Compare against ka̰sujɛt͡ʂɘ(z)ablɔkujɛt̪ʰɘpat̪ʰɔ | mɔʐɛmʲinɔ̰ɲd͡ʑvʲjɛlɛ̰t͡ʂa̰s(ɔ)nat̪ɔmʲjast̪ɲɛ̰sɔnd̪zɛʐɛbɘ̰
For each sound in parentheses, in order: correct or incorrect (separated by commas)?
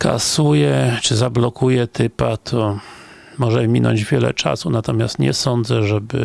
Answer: correct, incorrect